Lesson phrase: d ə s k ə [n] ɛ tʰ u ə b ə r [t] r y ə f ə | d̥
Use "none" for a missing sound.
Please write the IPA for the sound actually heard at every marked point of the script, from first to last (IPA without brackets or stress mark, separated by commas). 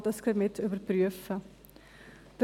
m, p